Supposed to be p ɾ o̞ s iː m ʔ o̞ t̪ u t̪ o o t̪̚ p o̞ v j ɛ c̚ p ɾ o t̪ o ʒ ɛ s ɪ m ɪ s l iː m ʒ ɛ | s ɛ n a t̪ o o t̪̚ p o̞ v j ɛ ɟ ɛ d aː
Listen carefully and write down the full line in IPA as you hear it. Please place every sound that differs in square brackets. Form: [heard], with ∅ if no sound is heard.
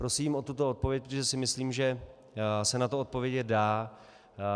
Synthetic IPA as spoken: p ɾ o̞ s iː m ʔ o̞ t̪ u t̪ o o t̪̚ p o̞ v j ɛ c̚ p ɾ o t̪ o ʒ ɛ s ɪ m ɪ s l iː m ʒ ɛ | s ɛ n a t̪ o o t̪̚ p o̞ v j ɛ ɟ ɛ d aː